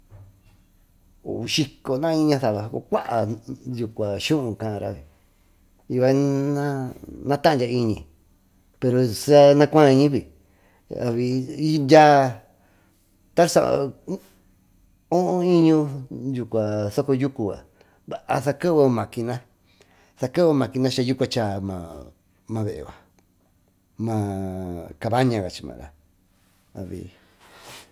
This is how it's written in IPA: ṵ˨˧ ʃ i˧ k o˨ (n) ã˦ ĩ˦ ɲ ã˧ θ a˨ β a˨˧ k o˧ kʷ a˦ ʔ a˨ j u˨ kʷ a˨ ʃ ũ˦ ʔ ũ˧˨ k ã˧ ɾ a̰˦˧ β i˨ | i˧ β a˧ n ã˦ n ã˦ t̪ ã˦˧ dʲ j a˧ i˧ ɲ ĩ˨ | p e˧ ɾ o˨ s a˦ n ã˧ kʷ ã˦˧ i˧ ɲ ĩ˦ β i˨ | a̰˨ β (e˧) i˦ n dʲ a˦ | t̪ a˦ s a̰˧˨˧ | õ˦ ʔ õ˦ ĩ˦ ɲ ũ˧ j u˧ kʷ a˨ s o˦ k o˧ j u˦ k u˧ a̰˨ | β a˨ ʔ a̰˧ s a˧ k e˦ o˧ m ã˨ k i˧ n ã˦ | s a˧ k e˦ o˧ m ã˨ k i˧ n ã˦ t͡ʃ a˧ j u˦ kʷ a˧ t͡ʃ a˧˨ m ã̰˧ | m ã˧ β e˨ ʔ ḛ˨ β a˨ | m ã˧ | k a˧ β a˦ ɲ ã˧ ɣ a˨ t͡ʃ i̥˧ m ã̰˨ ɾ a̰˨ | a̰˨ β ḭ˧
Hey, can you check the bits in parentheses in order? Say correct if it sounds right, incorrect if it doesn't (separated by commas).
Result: correct, incorrect